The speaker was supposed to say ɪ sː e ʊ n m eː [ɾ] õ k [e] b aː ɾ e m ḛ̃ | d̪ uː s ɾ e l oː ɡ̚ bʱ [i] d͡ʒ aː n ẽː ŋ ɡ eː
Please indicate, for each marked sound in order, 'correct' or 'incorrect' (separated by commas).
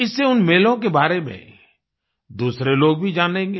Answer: incorrect, correct, correct